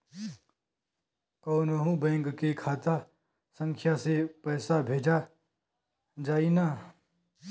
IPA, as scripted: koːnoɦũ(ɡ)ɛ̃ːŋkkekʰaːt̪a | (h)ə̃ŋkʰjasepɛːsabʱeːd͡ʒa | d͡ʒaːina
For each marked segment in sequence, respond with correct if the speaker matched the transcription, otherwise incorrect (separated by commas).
incorrect, incorrect